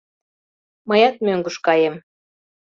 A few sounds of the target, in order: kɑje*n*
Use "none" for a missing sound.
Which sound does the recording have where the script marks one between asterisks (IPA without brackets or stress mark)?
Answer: m